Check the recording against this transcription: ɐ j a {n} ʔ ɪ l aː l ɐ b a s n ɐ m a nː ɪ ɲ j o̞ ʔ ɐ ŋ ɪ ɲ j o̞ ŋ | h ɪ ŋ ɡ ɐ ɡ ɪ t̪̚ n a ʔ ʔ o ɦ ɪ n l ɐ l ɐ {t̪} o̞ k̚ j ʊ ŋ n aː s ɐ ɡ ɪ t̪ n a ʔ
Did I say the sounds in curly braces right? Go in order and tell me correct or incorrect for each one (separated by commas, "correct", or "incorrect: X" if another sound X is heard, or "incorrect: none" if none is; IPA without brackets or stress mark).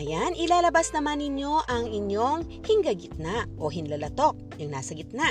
correct, correct